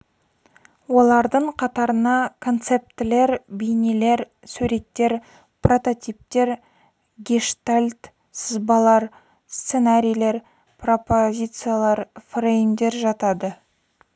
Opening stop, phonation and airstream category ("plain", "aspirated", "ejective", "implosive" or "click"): plain